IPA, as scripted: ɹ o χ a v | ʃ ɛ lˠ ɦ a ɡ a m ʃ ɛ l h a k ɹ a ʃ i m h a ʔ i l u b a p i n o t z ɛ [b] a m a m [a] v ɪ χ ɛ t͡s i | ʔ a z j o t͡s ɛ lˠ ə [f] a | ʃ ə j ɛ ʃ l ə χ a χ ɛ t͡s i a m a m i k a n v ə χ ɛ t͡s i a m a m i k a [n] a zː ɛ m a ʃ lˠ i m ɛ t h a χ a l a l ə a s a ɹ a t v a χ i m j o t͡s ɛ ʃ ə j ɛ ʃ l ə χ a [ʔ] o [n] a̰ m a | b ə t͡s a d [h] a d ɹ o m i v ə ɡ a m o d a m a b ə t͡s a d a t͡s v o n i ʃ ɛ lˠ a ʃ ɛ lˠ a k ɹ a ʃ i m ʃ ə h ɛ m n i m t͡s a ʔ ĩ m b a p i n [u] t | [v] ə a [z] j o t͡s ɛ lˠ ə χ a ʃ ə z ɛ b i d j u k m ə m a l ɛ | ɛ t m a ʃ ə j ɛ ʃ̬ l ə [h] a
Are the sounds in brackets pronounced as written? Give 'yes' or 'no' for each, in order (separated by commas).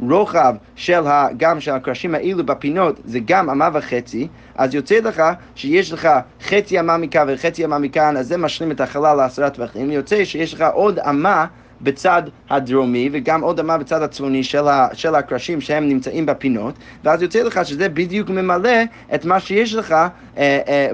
no, yes, no, yes, yes, no, yes, no, yes, yes, no